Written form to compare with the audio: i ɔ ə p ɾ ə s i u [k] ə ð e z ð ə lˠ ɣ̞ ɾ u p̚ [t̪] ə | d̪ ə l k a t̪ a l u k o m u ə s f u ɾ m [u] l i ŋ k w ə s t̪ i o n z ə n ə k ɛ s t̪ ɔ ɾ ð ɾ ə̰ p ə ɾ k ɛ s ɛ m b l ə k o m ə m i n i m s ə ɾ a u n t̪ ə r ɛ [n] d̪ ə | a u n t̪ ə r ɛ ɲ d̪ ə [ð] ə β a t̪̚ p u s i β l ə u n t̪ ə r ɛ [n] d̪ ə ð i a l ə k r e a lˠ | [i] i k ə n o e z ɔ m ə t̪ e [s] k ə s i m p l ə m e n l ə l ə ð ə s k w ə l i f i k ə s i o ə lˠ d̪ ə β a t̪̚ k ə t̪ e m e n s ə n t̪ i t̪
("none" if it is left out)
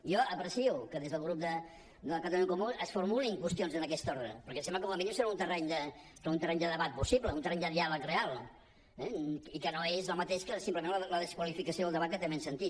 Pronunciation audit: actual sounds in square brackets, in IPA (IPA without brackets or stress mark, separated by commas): k, d̪, u, ɲ, ð, ɲ, ɛ, ʃ